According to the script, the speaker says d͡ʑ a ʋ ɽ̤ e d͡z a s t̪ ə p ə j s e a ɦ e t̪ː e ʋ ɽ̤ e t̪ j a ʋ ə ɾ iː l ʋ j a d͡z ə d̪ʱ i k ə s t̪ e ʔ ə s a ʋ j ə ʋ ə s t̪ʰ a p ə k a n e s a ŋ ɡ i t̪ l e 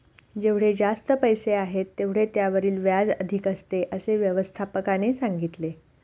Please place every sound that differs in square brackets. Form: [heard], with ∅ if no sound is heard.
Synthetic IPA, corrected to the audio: d͡ʑ [e] ʋ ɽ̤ e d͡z a s t̪ ə p ə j s e a ɦ e t̪ː e ʋ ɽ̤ e t̪ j a ʋ ə ɾ iː l ʋ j a d͡z ə d̪ʱ i k ə s t̪ e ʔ ə s [e] ʋ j ə ʋ ə s t̪ʰ a p ə k a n e s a ŋ ɡ i t̪ l e